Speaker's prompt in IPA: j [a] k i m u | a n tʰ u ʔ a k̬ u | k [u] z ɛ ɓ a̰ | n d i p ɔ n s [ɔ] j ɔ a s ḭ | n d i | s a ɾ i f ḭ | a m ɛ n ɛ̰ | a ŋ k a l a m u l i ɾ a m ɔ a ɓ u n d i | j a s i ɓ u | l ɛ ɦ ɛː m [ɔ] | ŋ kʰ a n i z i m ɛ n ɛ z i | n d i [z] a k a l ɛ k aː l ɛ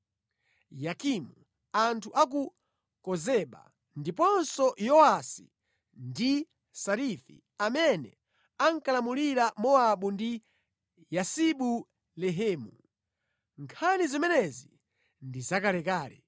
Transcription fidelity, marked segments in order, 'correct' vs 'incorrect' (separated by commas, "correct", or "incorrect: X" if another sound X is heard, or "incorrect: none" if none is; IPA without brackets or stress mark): correct, incorrect: ɔ, correct, incorrect: u, correct